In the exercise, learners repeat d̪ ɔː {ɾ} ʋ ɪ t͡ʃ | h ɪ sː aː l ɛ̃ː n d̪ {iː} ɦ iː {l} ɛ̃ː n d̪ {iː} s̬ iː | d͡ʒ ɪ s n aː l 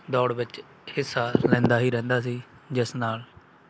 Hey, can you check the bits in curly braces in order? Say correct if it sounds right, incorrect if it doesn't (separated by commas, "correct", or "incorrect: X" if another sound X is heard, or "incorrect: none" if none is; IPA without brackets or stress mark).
incorrect: ɽ, incorrect: aː, incorrect: ɾ, incorrect: aː